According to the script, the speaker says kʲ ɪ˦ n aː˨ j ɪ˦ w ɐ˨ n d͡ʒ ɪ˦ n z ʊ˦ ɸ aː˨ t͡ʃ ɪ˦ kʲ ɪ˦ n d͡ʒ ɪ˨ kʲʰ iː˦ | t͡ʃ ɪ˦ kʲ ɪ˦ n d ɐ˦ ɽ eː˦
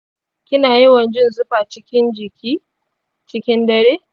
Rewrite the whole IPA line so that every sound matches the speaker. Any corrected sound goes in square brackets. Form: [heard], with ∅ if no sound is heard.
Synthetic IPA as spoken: kʲ ɪ˦ n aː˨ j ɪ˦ w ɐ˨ n d͡ʒ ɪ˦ n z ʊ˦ ɸ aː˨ t͡ʃ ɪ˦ kʲ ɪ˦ n d͡ʒ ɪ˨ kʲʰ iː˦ | t͡ʃ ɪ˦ kʲ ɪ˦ n d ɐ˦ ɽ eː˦